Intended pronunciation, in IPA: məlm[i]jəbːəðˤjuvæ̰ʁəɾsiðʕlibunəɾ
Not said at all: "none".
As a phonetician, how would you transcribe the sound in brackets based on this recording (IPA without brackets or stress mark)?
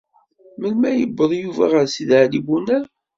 æ